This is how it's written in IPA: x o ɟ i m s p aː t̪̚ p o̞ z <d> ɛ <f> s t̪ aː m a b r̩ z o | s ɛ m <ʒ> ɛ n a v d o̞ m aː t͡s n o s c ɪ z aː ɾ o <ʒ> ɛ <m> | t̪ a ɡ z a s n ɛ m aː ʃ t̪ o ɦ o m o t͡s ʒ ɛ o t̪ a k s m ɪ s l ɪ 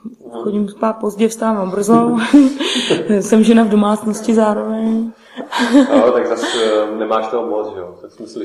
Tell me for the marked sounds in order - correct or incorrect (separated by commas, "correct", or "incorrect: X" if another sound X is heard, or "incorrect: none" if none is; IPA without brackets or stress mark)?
incorrect: ɟ, correct, correct, incorrect: v, incorrect: ɲ